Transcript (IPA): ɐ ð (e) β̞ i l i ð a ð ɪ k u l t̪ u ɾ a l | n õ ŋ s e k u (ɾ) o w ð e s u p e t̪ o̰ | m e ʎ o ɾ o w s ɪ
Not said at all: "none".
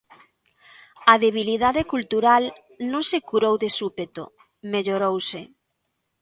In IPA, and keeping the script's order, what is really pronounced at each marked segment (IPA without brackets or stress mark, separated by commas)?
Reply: e, ɾ